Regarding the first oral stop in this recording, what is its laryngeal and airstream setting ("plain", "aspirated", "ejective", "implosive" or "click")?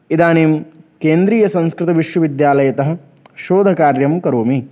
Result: plain